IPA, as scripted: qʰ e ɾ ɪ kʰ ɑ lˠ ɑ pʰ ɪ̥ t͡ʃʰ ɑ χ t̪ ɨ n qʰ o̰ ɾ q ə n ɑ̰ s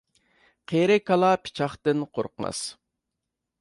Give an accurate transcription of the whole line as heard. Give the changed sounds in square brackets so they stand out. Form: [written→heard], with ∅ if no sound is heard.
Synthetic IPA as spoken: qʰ e ɾ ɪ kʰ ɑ lˠ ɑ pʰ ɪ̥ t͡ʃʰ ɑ χ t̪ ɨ n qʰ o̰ ɾ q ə [n→m] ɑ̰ s